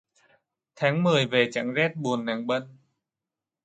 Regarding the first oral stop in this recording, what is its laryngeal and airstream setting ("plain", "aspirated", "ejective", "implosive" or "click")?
aspirated